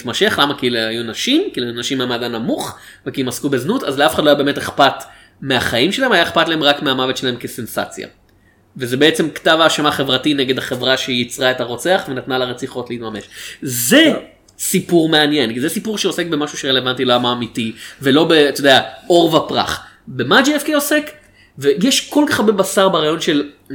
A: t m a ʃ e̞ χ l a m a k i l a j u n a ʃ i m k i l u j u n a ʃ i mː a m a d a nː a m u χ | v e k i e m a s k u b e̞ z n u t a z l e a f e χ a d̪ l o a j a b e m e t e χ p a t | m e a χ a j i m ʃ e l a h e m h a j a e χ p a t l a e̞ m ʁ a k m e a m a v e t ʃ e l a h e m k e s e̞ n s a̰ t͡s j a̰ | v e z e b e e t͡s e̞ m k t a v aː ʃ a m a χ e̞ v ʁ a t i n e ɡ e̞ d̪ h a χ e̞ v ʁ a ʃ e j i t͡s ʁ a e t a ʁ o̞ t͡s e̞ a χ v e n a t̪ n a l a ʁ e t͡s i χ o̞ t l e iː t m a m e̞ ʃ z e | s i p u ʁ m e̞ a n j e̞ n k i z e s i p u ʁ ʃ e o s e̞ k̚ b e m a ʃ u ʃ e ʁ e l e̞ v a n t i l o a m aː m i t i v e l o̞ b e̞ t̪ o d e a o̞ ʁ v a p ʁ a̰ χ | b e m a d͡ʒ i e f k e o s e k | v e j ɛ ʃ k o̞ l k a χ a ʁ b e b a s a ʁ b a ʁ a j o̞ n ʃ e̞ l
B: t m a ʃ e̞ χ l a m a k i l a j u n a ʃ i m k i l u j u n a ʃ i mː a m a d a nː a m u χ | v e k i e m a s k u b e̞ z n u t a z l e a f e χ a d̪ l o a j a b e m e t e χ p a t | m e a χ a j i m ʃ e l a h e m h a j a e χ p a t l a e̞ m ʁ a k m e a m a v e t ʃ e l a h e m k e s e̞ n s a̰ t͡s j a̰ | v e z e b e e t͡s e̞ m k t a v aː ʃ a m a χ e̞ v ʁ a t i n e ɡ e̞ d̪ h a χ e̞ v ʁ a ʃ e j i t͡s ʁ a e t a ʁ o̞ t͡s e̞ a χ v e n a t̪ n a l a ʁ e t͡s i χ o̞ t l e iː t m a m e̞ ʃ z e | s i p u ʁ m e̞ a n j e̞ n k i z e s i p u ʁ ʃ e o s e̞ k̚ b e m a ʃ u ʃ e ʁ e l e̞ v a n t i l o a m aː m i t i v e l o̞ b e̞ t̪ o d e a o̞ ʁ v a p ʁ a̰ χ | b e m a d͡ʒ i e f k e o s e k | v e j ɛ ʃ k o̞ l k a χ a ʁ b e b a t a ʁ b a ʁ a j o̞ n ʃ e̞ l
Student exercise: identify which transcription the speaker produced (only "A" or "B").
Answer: A